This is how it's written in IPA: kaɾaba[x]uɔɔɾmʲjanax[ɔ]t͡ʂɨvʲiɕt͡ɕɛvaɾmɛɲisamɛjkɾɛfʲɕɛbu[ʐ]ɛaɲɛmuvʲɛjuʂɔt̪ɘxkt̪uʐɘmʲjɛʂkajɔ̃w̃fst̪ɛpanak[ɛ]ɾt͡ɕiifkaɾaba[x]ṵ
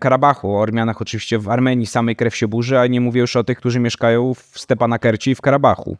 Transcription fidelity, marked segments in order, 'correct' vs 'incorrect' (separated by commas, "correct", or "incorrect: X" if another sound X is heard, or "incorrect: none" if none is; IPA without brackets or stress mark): correct, correct, correct, correct, correct